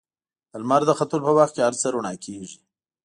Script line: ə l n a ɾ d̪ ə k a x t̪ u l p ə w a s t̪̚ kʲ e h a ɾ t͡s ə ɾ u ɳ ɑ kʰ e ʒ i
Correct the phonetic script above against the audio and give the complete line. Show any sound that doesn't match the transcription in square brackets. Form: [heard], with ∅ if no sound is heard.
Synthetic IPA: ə l [m] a ɾ d̪ ə [x] a [∅] t̪ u l p ə w a [x] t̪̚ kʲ e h a ɾ t͡s ə ɾ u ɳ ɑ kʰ e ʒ i